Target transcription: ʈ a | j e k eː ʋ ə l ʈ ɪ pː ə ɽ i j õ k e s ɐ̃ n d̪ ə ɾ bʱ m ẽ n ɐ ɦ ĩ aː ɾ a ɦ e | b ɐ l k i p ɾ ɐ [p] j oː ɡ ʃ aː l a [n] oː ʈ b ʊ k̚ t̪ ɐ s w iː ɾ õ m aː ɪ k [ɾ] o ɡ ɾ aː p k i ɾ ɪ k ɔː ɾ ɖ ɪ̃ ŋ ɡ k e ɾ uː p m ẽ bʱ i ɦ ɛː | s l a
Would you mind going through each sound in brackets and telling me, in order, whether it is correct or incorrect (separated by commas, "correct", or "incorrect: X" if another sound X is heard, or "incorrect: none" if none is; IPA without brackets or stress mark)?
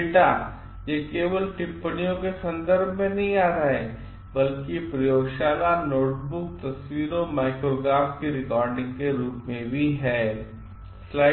incorrect: none, correct, correct